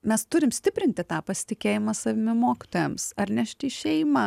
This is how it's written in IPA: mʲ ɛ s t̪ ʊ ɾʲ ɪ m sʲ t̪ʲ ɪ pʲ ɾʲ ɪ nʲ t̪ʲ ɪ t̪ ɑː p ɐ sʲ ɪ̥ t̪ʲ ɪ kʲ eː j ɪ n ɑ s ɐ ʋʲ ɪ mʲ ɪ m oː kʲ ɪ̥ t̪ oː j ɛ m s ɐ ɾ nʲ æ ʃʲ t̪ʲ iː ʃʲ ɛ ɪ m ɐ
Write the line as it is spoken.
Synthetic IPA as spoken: mʲ ɛ s t̪ ʊ ɾʲ ɪ m sʲ t̪ʲ ɪ pʲ ɾʲ ɪ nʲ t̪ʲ ɪ t̪ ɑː p ɐ sʲ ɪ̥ t̪ʲ ɪ kʲ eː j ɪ m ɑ s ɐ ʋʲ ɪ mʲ ɪ m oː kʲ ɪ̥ t̪ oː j ɛ m s ɐ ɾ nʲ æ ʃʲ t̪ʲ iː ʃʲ ɛ ɪ m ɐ

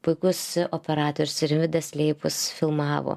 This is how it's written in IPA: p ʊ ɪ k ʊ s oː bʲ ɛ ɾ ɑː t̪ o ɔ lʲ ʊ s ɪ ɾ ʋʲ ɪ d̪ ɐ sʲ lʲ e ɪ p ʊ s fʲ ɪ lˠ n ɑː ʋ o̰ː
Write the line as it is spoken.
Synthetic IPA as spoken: p ʊ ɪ k ʊ s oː pʲ ɛ ɾ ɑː t̪ o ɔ ɾʲ ʊ s ɪ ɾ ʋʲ ɪ d̪ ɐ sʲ lʲ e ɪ p ʊ s fʲ ɪ lˠ m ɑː ʋ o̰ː

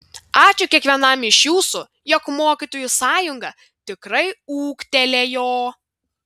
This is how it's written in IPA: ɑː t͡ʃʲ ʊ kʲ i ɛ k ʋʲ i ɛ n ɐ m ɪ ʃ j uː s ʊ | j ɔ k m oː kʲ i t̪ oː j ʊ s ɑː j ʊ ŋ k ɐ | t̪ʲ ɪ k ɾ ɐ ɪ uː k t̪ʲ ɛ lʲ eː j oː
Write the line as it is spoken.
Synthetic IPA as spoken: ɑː t͡ʃʲ ʊ kʲ i ɛ k ʋʲ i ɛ n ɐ m ɪ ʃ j uː s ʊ | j ɔ k m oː kʲ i t̪ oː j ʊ s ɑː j ʊ ŋ ɡ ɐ | t̪ʲ ɪ k ɾ ɐ ɪ uː k t̪ʲ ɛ lʲ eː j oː

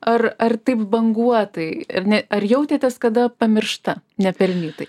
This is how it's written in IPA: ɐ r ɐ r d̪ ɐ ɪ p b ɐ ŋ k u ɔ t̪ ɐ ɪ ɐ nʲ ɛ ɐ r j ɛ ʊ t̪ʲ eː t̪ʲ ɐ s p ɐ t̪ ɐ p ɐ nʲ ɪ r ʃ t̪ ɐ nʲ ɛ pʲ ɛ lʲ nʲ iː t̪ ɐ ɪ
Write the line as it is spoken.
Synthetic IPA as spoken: ɐ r ɐ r t̪ ɐ ɪ p b ɐ ŋ ɡ u ɔ t̪ ɐ ɪ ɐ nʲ ɛ ɐ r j ɛ ʊ t̪ʲ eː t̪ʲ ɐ s k ɐ d̪ ɐ p ɐ mʲ ɪ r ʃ t̪ ɐ nʲ ɛ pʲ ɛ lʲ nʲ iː t̪ ɐ ɪ

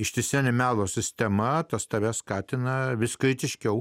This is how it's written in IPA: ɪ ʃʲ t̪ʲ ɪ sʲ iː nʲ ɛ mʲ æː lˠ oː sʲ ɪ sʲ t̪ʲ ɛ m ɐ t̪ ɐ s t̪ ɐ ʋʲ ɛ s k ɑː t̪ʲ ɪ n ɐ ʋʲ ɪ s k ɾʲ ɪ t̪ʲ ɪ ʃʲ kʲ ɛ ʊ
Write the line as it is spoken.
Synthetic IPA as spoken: ɪ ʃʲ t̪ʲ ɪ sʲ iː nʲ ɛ mʲ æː lˠ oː sʲ ɪ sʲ t̪ʲ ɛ m ɐ t̪ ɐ s t̪ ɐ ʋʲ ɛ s k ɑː t̪ʲ ɪ n ɐ ʋʲ ɪ s k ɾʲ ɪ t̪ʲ ɪ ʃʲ kʲ ɛ ʊ

